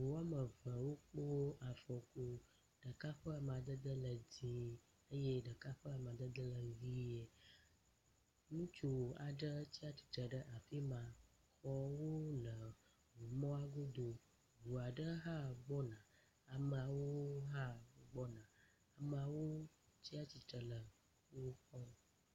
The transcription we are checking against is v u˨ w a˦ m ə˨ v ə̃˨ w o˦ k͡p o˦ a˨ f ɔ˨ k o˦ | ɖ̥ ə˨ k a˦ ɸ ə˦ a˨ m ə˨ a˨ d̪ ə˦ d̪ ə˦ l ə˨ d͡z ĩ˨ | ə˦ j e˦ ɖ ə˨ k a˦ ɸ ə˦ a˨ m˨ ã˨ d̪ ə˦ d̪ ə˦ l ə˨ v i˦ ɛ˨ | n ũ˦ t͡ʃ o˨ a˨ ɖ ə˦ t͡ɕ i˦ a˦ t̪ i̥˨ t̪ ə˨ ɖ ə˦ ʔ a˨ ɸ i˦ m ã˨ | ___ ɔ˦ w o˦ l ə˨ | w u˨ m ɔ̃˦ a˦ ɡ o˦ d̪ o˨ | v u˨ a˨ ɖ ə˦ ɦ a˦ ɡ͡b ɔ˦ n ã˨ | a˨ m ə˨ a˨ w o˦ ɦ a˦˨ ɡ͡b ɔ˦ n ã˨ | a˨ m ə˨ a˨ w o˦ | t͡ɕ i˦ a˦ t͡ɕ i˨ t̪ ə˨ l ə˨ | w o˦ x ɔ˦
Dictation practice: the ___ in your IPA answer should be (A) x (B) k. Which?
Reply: A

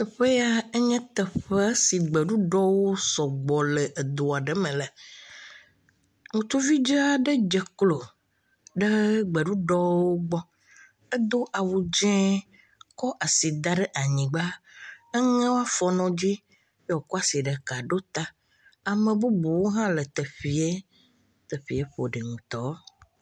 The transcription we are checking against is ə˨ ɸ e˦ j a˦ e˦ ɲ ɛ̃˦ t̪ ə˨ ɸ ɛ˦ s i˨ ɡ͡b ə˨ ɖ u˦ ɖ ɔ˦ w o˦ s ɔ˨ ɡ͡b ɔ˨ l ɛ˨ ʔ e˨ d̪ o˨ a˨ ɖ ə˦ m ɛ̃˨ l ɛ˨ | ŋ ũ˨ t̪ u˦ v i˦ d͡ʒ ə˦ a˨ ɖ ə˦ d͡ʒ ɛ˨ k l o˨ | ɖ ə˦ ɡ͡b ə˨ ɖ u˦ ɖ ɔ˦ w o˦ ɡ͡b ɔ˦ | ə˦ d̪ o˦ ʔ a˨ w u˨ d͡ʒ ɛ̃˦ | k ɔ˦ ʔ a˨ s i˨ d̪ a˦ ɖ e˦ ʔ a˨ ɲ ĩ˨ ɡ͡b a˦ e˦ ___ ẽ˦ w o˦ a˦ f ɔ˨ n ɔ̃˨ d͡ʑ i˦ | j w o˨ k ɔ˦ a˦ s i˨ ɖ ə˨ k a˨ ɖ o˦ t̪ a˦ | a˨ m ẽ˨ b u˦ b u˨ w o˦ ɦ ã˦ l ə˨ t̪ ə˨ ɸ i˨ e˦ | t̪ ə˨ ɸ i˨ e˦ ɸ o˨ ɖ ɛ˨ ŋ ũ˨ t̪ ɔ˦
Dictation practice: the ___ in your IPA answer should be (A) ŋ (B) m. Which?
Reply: A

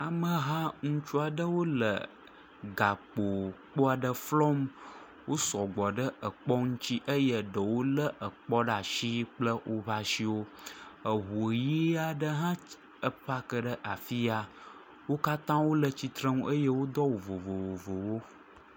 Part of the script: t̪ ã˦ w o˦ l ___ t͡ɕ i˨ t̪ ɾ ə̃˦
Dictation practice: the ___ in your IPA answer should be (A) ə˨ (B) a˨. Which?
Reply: A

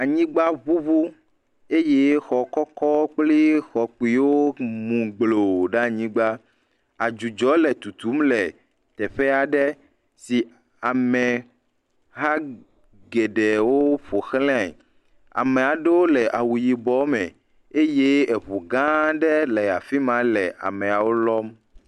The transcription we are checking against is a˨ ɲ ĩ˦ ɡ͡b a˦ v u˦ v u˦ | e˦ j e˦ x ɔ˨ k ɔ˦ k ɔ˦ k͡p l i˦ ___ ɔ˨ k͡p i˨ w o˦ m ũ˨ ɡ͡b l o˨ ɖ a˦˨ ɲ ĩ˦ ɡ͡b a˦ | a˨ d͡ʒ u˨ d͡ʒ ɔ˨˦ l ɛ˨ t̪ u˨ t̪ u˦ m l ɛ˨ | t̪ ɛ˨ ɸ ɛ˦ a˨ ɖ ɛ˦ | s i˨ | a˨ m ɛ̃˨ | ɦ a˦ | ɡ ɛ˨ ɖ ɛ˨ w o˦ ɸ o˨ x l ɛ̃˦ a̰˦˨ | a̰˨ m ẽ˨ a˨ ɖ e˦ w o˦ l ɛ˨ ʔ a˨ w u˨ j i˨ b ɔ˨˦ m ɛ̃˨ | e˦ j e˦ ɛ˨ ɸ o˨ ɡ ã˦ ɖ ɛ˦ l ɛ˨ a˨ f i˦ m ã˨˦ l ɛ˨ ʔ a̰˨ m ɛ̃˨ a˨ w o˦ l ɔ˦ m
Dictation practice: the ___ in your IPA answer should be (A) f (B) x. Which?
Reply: B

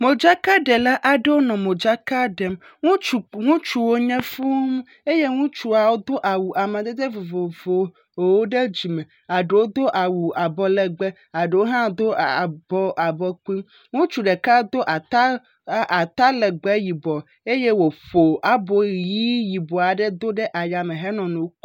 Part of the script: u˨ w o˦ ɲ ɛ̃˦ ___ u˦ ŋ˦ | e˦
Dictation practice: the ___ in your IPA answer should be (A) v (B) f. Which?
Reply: B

